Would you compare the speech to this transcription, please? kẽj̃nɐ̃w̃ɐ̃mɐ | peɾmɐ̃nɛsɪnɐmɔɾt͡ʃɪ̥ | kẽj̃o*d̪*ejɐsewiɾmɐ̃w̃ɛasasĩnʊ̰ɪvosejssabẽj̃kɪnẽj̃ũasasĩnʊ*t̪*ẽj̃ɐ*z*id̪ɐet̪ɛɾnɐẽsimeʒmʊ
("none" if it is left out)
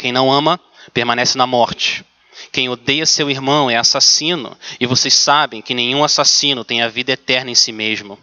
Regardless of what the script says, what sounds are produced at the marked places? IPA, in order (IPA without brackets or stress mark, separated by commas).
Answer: d̪, t̪, v